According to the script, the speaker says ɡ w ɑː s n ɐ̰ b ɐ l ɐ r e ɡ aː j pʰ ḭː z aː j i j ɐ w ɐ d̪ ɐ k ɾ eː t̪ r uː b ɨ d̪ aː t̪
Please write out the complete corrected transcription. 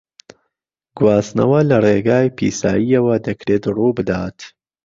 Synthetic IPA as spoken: ɡ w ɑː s n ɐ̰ w ɐ l ɐ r e ɡ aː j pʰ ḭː s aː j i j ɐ w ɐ d̪ ɐ k ɾ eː t̪ r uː b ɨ d̪ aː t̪